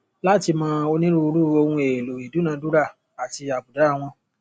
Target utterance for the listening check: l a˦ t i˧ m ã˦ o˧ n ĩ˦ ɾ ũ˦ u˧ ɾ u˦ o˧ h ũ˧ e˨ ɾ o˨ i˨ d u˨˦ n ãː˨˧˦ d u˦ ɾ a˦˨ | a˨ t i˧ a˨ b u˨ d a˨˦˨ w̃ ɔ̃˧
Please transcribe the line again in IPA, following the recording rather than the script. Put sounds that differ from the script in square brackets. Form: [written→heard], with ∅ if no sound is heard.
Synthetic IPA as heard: l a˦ t i˧ m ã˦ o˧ n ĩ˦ ɾ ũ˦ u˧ ɾ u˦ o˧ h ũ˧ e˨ [ɾ→l] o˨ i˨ d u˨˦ n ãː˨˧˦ d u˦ ɾ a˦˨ | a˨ t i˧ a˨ b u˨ d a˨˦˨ w̃ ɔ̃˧